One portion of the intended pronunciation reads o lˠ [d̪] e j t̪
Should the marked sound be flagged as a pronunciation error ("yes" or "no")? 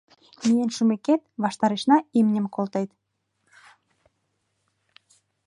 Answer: yes